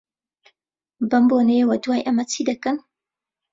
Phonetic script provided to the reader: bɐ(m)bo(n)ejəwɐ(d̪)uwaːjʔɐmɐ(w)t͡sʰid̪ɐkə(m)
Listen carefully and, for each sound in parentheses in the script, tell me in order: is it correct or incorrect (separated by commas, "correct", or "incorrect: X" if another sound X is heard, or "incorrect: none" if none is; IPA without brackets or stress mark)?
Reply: correct, correct, correct, incorrect: none, incorrect: n